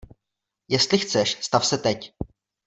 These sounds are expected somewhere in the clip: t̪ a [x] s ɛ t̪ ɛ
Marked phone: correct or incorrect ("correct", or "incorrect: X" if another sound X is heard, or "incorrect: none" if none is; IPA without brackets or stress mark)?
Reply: incorrect: f